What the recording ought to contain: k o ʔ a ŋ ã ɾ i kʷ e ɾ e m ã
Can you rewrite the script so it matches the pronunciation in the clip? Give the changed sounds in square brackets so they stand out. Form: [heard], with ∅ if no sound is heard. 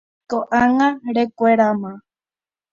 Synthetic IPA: k o ʔ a ŋ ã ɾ [e] kʷ e ɾ [a] m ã